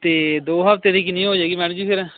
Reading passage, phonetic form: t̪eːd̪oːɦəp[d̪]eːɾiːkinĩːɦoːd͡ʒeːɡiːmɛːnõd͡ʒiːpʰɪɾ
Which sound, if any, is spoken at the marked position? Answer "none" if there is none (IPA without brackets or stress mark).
t̪